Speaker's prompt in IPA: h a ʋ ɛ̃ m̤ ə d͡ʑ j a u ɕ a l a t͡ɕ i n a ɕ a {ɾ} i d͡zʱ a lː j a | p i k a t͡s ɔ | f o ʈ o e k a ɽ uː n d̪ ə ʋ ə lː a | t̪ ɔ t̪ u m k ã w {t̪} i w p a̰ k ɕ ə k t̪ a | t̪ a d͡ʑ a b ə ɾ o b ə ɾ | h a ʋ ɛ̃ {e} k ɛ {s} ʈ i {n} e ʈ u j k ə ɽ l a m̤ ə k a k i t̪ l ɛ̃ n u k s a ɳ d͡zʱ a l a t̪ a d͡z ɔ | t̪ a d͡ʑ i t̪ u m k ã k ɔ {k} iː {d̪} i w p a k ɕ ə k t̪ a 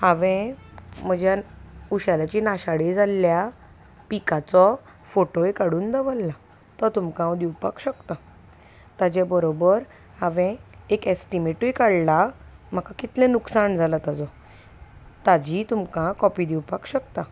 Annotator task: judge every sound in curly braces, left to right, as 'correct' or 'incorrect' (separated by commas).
incorrect, incorrect, correct, correct, incorrect, incorrect, correct